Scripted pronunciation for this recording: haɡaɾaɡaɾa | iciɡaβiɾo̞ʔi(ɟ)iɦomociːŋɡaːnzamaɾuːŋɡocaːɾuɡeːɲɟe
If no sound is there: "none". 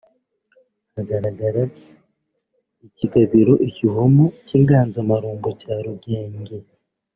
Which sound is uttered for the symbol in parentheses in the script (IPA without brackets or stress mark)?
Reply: c